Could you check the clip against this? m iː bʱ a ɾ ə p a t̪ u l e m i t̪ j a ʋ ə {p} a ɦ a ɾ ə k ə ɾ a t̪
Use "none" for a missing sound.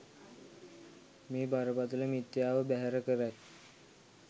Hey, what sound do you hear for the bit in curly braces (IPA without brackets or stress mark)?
b